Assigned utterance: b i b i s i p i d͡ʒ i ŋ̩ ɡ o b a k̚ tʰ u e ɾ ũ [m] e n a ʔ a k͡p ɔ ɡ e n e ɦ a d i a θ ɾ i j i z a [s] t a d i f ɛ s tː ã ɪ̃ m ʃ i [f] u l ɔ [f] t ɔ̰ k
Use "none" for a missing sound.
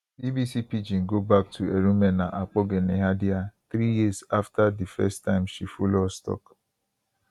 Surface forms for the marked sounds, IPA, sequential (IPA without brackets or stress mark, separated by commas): m, f, f, s